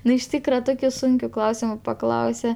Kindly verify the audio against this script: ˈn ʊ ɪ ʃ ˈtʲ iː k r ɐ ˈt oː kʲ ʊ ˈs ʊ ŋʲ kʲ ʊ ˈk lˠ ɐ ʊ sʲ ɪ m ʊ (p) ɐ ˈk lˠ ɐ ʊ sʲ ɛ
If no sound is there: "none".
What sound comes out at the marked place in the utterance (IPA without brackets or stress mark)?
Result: p